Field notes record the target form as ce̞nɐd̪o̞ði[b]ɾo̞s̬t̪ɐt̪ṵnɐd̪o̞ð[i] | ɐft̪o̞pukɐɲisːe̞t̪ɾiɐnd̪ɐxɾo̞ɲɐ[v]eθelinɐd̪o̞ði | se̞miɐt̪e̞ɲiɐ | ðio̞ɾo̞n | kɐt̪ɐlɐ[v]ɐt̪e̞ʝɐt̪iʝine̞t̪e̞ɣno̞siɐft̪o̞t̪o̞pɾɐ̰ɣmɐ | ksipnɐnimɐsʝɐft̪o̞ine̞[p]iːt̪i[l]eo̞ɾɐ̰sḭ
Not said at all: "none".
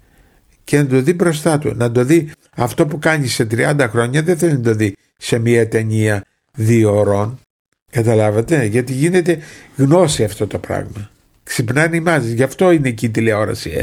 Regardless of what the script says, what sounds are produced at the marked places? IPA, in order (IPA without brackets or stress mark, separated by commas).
b, i, ð, v, c, l